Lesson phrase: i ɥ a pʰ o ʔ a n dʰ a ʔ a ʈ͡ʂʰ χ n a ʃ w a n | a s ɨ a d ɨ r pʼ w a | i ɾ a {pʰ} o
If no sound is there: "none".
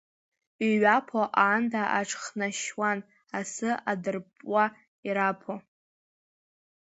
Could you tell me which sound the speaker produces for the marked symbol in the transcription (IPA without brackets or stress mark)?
pʰ